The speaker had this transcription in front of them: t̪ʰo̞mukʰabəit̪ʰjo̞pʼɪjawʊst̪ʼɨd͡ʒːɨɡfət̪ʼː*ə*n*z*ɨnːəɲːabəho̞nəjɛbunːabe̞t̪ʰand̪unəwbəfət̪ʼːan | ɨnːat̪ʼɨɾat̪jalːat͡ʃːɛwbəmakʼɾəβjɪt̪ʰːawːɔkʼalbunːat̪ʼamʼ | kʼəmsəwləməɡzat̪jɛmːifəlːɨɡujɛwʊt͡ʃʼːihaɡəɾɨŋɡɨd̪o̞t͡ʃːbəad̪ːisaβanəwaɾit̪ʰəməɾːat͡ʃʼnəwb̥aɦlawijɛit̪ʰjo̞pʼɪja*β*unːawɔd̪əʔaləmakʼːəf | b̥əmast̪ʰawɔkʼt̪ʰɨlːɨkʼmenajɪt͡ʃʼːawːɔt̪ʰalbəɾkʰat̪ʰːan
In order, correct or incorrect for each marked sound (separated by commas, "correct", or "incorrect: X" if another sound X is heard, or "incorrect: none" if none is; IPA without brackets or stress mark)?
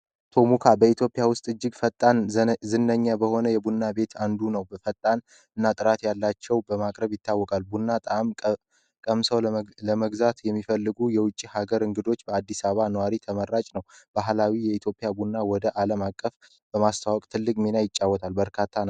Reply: incorrect: a, correct, incorrect: b